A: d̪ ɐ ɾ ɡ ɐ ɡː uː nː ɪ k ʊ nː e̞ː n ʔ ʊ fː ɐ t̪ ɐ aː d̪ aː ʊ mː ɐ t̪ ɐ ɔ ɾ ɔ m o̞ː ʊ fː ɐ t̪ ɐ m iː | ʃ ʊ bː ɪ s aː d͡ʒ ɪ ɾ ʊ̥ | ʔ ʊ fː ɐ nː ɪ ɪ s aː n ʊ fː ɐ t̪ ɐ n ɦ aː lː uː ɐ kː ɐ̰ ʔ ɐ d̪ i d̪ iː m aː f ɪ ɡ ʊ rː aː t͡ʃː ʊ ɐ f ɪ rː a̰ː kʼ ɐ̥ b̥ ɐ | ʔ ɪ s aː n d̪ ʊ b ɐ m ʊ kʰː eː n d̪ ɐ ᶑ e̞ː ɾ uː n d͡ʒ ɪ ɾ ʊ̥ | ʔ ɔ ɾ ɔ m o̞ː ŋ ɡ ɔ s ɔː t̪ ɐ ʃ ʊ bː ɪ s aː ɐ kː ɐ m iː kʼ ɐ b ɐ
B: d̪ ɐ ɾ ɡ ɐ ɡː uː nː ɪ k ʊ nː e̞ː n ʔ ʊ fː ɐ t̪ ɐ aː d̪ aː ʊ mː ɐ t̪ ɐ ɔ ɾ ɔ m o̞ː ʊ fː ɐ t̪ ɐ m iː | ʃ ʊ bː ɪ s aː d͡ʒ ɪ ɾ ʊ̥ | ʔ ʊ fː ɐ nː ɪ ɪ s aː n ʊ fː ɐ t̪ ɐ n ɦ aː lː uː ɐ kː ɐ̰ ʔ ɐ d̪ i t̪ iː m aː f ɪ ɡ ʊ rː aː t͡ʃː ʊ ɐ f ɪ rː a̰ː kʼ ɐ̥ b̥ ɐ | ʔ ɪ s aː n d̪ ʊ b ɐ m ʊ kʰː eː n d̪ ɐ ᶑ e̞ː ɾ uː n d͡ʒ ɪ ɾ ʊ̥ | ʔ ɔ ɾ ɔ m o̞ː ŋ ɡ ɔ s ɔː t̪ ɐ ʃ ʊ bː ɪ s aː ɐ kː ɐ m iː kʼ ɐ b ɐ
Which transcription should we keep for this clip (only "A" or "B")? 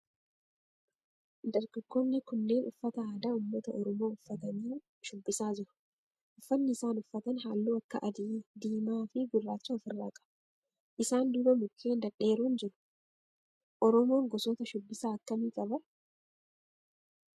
A